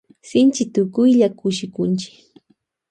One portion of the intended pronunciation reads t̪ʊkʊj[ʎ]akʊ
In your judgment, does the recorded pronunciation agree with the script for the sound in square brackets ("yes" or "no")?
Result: yes